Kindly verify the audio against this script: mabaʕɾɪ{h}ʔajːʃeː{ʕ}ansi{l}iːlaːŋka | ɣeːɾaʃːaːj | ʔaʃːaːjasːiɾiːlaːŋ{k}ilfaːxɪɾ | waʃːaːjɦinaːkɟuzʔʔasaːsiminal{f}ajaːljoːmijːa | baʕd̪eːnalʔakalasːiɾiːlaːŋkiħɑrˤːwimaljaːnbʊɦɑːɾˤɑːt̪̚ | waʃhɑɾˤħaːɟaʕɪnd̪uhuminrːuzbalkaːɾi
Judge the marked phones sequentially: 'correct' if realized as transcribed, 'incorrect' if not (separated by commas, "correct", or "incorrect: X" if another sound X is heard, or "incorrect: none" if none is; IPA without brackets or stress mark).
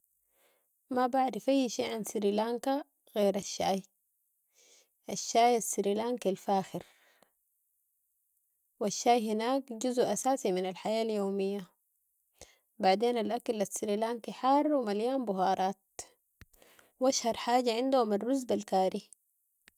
incorrect: f, correct, incorrect: ɾ, correct, incorrect: ħ